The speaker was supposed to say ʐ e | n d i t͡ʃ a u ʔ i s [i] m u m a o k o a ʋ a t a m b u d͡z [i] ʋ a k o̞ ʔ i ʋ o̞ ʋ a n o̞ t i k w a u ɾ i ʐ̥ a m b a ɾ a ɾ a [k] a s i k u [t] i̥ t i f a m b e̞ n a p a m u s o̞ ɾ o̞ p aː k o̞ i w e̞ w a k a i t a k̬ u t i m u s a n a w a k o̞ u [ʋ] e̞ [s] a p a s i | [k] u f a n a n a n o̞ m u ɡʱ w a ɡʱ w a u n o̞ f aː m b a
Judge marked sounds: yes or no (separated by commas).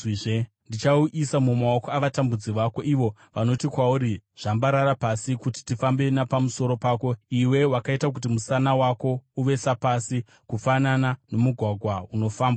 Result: no, yes, no, yes, yes, yes, yes